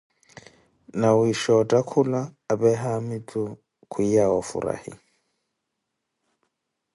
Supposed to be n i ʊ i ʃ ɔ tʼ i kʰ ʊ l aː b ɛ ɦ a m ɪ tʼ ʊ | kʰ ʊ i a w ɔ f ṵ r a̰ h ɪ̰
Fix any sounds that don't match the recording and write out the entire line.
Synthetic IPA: n a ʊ i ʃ ɔ tʼ a kʰ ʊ l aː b ɛ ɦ a m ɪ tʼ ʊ | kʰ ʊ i a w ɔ f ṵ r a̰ h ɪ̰

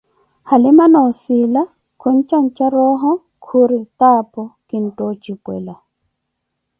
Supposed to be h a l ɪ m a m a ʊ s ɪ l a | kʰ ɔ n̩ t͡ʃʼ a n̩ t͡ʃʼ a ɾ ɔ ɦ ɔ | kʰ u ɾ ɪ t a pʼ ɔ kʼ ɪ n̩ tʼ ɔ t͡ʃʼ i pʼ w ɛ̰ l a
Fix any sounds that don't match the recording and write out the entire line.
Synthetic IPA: h a l ɪ m a n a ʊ s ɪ l a | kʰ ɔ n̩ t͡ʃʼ a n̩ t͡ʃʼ a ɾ ɔ ɦ ɔ | kʰ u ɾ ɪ t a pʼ ɔ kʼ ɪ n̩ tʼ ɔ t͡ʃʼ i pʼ w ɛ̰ l a

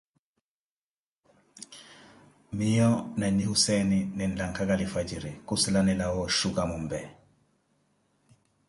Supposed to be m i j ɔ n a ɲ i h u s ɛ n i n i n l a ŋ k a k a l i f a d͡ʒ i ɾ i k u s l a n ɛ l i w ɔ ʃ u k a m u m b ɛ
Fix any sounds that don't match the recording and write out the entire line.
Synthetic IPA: m i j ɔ n a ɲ i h u s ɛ n i n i n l a ŋ k a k a l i f a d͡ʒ i ɾ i k u s l a n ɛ l a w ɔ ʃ u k a m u m b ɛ

